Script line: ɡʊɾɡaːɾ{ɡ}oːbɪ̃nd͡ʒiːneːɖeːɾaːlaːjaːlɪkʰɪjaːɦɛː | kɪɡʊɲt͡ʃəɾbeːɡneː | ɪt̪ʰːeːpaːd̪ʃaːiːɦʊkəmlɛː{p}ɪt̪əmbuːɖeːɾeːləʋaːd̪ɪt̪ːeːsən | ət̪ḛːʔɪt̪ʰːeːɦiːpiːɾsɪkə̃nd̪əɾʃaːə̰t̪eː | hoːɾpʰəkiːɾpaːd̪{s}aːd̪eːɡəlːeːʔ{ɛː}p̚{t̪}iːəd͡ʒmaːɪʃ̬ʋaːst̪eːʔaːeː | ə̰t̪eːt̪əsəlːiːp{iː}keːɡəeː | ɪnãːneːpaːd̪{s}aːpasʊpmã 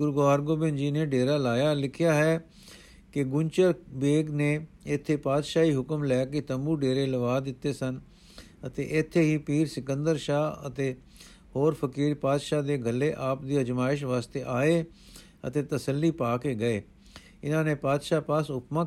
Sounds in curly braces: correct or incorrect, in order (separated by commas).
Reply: correct, incorrect, incorrect, incorrect, incorrect, incorrect, incorrect